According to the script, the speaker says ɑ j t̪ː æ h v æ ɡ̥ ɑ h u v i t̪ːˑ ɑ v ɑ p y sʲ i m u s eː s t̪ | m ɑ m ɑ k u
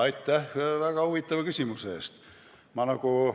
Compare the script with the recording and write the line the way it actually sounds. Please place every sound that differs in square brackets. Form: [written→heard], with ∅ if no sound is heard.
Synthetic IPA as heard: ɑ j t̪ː æ h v æ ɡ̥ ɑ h u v i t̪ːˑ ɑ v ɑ [p→k] y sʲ i m u s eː s t̪ | m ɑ [m→n] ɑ k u